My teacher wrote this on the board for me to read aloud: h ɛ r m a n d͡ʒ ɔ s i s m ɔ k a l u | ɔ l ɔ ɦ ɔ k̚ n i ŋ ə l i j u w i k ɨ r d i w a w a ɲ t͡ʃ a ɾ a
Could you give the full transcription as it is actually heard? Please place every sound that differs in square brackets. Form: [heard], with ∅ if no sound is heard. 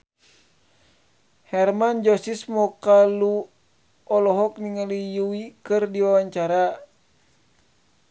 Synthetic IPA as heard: h ɛ r m a n d͡ʒ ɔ s i s m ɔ k a l u | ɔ l ɔ ɦ ɔ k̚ n i ŋ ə l i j u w i k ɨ r d i w a w a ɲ t͡ʃ a ɾ a